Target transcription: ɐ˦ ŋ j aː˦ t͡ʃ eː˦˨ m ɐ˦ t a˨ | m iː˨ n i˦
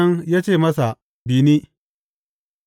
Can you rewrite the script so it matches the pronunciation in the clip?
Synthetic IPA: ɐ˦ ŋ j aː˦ t͡ʃ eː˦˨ m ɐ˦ s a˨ | b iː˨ n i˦